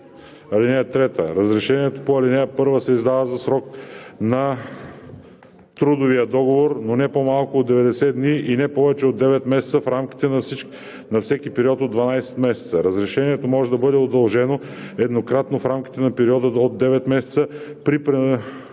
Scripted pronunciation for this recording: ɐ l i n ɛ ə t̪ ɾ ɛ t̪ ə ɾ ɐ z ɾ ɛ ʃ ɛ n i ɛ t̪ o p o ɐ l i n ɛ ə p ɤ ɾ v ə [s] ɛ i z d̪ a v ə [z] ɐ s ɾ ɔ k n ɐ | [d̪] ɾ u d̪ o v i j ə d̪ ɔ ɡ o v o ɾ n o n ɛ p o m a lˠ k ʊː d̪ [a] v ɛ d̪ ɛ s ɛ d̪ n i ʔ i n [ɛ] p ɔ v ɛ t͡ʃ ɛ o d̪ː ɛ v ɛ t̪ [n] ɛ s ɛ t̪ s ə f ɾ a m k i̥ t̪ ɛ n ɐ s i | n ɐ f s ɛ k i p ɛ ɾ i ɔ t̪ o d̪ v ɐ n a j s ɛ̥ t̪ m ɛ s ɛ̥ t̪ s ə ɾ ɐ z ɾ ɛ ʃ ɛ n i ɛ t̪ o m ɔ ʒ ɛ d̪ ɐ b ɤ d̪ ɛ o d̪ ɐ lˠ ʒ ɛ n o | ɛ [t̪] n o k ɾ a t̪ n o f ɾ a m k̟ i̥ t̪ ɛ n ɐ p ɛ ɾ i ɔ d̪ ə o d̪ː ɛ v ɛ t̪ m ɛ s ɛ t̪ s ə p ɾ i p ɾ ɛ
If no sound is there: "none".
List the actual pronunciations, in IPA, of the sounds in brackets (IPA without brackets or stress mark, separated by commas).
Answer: s, z, t̪, ɛ, ɛ, m, d̪